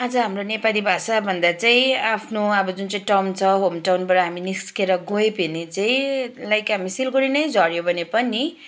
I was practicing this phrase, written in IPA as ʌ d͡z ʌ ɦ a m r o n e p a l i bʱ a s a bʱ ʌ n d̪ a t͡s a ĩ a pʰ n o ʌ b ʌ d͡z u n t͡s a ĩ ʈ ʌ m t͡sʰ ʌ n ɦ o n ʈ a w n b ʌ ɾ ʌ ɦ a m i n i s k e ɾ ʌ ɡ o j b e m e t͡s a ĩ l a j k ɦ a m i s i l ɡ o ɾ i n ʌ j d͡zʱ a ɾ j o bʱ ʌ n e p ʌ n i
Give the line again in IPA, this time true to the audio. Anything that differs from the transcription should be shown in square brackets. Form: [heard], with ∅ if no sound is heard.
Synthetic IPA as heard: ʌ d͡z ʌ ɦ a m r o n e p a l i bʱ a s a bʱ ʌ n d̪ a t͡s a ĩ a pʰ n o ʌ b ʌ d͡z u n t͡s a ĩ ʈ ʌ m t͡sʰ ʌ [∅] ɦ o [m] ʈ a w n b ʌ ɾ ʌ ɦ a m i n i s k e ɾ ʌ ɡ o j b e [n] e t͡s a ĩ l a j k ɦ a m i s i l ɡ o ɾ i n ʌ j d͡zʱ [ʌ] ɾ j o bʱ ʌ n e p ʌ n i